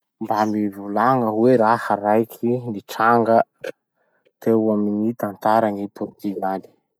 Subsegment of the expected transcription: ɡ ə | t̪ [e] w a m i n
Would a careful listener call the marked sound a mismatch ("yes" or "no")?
no